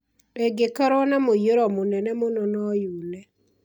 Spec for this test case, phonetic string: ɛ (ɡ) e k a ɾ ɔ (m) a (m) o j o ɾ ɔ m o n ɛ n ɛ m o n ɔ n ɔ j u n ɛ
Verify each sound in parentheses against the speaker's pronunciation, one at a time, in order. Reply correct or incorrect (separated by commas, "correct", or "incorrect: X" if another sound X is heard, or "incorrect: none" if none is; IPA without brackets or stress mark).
correct, incorrect: n, correct